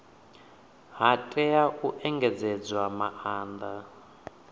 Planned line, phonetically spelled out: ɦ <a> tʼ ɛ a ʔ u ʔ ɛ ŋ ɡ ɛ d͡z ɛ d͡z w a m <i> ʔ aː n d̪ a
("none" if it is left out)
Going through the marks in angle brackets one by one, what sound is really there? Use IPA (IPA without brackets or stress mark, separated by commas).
a, a